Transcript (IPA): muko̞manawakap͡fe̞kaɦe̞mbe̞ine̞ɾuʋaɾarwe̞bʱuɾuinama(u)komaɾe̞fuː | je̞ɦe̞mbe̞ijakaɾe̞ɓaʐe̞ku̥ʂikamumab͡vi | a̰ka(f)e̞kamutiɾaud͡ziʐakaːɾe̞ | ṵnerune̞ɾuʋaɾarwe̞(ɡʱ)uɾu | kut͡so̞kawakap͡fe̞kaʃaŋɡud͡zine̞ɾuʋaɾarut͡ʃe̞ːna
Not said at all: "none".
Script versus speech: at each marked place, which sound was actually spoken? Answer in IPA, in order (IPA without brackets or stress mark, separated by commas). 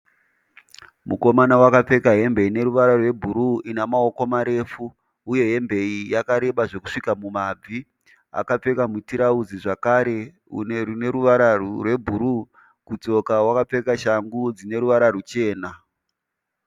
o, p͡f, bʱ